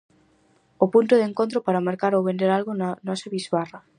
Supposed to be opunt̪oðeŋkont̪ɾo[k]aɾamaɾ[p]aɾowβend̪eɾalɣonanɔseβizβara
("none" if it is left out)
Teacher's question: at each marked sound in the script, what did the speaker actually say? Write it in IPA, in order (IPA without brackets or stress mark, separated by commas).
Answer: p, k